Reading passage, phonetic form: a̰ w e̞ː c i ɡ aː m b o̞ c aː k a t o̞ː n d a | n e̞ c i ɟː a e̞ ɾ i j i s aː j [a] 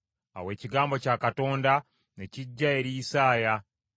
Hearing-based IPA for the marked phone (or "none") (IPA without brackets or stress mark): a